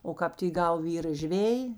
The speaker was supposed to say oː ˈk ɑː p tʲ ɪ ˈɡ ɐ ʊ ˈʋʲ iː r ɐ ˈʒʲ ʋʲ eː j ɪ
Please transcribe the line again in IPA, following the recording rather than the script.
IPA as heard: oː ˈk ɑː p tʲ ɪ ˈɡ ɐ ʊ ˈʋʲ iː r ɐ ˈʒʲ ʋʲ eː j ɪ